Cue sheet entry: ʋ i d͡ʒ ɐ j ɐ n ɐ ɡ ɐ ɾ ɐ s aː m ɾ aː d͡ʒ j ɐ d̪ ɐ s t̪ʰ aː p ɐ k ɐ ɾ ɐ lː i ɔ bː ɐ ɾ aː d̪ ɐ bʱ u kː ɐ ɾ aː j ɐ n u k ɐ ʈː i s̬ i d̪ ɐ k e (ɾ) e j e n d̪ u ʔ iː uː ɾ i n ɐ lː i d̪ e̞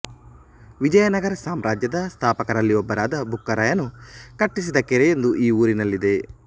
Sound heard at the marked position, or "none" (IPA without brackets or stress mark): ɾ